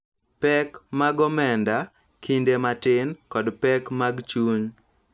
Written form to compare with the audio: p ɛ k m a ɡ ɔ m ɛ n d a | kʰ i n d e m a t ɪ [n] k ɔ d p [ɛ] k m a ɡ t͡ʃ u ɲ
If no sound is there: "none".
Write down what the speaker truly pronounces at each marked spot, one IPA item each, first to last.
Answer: n, ɛ

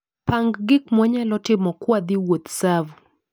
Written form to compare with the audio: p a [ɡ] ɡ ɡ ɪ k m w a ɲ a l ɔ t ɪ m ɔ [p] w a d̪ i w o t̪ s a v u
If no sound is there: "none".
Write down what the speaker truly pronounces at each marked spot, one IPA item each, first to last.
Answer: ŋ, k

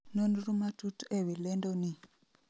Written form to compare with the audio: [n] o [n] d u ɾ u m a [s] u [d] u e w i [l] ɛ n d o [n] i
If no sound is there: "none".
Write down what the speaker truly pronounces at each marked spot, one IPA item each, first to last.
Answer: n, n, t, t, l, n

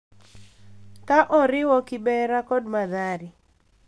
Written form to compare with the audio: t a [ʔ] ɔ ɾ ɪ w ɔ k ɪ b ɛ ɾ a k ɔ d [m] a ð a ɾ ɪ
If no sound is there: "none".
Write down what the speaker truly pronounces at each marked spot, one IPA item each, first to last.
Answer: ʔ, m

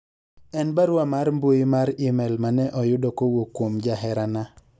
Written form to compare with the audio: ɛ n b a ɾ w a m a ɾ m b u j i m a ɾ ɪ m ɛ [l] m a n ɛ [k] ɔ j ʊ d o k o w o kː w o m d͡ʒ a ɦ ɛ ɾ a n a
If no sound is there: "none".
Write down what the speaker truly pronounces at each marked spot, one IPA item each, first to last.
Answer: l, ʔ

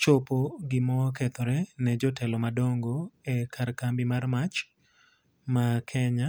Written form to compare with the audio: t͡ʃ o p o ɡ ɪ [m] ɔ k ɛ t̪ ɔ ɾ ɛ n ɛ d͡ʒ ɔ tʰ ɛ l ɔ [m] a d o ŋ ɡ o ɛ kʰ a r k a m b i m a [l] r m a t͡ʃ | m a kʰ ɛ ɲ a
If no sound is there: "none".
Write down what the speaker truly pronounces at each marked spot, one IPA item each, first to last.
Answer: m, m, none

